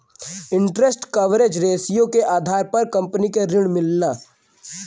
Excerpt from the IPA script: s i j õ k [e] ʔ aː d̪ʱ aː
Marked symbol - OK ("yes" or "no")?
yes